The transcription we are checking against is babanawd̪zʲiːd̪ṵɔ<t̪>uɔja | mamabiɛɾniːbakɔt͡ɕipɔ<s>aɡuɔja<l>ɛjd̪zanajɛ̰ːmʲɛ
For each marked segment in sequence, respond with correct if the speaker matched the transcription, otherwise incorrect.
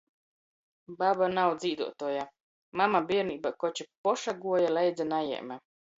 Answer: correct, incorrect, correct

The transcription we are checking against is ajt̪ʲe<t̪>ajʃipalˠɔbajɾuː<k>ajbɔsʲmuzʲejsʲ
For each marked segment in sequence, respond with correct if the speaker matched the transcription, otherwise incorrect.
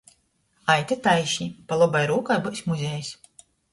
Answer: correct, correct

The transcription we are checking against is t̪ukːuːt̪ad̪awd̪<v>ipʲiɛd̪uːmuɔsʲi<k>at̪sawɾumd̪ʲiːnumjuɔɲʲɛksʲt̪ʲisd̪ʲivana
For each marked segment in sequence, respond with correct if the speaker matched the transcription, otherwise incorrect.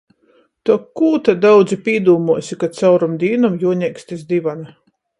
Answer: incorrect, correct

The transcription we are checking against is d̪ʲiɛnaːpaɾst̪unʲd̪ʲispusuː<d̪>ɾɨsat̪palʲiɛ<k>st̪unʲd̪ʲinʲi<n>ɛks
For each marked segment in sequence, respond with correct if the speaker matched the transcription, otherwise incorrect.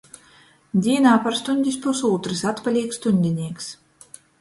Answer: incorrect, correct, incorrect

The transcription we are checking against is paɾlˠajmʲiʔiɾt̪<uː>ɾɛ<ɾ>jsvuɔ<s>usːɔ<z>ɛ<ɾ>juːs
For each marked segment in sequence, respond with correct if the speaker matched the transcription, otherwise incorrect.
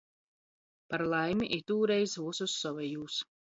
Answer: correct, incorrect, correct, incorrect, incorrect

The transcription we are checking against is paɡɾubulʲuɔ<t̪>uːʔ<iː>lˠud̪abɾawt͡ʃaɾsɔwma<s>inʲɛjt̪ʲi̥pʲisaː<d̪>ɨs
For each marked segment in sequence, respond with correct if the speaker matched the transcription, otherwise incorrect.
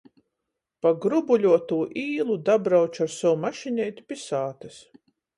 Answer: correct, correct, incorrect, incorrect

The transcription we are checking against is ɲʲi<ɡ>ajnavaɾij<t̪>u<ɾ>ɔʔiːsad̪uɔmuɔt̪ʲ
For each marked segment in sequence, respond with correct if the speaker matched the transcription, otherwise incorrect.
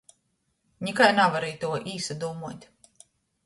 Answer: incorrect, correct, incorrect

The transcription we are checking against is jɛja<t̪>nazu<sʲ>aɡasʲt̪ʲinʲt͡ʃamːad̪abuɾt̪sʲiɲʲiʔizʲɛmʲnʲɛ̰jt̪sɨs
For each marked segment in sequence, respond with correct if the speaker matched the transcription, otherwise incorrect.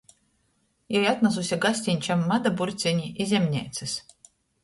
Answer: correct, correct

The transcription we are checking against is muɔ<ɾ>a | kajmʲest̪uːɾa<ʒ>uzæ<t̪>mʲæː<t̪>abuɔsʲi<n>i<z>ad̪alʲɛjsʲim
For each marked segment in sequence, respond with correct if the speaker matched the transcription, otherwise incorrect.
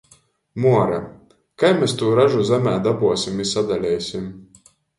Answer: correct, correct, incorrect, incorrect, incorrect, incorrect

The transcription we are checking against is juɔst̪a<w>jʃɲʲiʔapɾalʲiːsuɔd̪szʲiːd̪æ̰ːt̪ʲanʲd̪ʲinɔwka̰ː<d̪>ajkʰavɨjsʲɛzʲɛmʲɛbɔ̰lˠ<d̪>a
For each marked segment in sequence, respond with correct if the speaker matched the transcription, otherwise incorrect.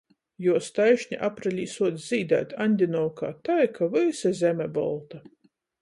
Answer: incorrect, incorrect, incorrect

